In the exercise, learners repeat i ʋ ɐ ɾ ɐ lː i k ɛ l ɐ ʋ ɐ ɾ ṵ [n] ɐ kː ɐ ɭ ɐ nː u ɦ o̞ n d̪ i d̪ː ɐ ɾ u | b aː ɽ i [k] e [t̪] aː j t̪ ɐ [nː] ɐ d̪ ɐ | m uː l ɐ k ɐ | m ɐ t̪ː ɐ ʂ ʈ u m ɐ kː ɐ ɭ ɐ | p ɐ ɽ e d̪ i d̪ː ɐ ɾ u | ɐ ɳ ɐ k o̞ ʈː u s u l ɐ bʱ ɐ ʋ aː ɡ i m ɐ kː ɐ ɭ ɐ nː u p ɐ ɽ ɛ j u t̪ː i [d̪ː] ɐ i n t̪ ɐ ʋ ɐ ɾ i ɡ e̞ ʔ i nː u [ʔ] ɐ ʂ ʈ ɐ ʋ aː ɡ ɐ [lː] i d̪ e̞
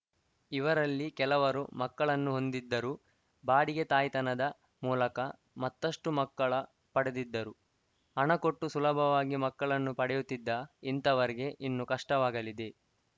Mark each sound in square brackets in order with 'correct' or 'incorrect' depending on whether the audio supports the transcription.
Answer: incorrect: m, incorrect: ɡ, correct, incorrect: n, correct, incorrect: k, incorrect: l

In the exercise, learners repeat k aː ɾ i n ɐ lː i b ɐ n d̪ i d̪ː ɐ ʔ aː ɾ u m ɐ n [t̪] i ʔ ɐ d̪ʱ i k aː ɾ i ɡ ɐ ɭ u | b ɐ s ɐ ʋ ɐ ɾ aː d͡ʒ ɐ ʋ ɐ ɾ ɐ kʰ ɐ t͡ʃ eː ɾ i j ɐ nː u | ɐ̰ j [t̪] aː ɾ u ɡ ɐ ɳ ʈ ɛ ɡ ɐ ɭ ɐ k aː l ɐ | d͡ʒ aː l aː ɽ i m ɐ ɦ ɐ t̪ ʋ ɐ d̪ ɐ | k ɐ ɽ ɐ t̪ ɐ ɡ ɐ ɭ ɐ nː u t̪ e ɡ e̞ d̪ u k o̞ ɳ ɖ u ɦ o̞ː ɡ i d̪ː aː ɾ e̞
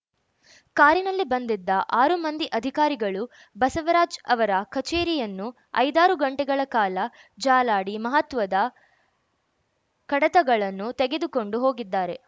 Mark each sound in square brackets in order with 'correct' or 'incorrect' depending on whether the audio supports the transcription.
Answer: incorrect: d̪, incorrect: d̪

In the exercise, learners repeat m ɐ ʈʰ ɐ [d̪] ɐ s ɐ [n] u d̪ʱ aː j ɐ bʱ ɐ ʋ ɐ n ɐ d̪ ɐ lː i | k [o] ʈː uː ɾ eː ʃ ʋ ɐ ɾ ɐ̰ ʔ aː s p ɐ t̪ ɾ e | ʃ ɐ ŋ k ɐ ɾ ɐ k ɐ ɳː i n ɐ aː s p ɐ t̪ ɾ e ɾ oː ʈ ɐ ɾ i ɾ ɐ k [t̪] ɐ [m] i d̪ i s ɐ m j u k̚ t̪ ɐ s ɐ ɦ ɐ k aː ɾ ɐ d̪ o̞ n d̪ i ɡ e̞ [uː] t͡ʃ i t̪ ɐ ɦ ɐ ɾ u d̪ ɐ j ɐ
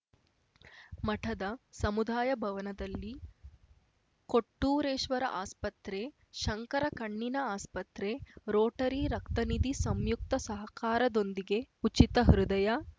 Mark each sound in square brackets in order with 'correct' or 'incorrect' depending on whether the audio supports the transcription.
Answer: correct, incorrect: m, correct, correct, incorrect: n, incorrect: u

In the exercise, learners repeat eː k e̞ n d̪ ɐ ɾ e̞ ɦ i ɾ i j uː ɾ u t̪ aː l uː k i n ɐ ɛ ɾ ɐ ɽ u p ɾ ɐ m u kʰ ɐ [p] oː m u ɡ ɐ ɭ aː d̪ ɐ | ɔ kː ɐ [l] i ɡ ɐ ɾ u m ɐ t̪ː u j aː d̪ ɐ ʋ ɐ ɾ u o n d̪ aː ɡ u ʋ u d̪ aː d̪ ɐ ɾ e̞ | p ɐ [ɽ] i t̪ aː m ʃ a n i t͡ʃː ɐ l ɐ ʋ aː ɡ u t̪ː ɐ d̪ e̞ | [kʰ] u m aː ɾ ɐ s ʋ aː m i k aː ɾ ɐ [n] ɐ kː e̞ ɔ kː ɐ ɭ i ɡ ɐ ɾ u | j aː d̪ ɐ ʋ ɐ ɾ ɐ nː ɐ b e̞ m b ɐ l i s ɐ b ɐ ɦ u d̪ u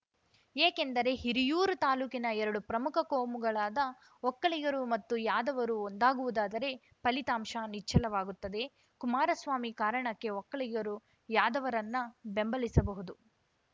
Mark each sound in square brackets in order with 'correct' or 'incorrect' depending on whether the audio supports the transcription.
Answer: incorrect: k, incorrect: ɭ, incorrect: l, incorrect: k, incorrect: ɳ

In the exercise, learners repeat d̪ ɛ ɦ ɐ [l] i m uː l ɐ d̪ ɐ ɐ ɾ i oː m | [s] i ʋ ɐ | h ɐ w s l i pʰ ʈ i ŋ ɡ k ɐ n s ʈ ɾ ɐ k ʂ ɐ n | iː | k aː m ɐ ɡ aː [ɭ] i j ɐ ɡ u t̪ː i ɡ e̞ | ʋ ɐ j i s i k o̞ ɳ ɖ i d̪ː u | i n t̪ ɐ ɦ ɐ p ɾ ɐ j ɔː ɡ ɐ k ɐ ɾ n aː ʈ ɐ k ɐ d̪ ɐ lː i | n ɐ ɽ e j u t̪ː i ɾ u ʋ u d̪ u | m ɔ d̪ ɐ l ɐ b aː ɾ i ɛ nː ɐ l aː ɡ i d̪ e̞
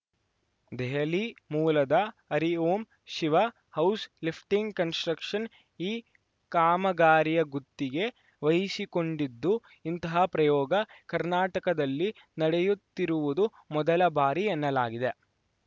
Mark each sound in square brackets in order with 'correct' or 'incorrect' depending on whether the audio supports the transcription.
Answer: correct, incorrect: ʃ, incorrect: ɾ

